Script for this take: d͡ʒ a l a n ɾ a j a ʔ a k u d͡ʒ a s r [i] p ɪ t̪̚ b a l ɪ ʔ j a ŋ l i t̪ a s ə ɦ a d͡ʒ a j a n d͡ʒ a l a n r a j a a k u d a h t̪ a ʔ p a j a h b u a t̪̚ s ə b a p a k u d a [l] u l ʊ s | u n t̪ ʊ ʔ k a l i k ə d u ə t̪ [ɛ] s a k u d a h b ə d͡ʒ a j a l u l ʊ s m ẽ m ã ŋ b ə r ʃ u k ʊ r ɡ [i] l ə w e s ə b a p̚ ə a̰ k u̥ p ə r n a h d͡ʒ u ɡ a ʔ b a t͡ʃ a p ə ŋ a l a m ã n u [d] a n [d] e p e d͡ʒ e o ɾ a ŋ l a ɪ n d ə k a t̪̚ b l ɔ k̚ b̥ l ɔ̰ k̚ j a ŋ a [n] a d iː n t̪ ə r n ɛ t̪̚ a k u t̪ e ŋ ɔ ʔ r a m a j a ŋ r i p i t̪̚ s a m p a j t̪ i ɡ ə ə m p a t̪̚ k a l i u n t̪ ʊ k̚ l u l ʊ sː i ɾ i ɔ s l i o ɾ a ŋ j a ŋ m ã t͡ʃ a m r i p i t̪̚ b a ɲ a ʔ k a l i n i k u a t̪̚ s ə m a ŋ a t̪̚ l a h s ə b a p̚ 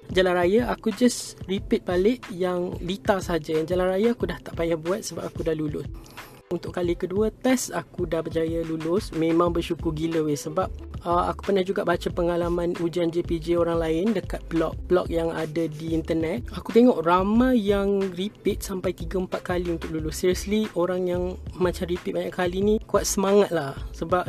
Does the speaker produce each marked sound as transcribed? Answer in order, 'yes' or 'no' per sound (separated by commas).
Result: yes, yes, yes, yes, no, no, no